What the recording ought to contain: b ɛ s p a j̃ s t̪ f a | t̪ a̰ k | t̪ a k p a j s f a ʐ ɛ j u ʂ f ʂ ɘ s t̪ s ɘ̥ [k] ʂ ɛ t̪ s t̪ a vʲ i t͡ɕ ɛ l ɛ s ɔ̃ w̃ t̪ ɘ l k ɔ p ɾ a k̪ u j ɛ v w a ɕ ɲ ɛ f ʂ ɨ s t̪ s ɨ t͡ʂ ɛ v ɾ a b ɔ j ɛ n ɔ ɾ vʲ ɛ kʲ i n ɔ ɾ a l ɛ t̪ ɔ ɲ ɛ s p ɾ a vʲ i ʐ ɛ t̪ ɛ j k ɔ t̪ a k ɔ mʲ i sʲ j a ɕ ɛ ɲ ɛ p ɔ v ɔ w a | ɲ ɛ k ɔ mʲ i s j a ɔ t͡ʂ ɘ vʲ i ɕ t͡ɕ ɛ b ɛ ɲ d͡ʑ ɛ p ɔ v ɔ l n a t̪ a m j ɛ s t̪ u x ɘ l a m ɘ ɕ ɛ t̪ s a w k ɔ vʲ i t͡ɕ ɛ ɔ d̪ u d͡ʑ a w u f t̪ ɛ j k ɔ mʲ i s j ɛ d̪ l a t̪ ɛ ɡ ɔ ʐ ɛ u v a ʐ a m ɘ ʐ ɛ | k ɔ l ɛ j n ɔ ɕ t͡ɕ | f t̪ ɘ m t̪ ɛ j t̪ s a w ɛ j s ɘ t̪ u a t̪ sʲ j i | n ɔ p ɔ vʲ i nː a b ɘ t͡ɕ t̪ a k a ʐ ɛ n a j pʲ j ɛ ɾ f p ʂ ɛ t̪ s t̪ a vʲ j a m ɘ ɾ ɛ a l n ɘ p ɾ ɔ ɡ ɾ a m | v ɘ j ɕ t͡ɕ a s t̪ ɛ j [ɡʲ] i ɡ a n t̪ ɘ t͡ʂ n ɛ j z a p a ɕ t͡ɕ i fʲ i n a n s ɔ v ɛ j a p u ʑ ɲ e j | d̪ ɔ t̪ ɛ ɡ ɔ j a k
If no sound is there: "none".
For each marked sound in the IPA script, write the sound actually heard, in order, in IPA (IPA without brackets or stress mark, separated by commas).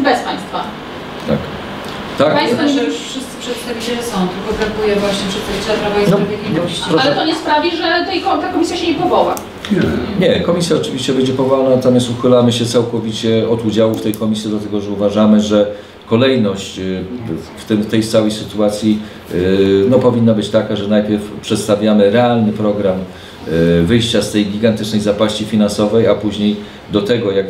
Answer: p, ɡʲ